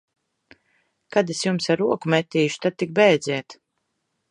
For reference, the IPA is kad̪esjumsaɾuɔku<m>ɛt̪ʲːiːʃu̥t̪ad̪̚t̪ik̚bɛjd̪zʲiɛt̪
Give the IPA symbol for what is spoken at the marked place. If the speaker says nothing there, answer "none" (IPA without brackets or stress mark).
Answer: m